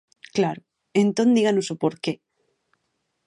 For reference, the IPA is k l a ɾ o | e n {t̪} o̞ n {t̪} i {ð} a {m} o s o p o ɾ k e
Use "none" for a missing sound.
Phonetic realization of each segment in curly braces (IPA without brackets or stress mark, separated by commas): t̪, d̪, ɣ, n